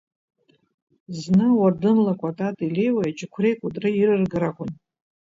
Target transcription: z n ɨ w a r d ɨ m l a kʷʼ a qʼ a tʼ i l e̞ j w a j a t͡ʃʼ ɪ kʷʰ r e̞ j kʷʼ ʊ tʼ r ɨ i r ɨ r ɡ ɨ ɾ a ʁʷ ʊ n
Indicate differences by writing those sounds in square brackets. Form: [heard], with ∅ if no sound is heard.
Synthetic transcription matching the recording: z n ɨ w a r d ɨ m l a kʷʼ a [tʼ] a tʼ i l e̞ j w a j a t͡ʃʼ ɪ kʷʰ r e̞ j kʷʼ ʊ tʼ r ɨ i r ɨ r ɡ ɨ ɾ a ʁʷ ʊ n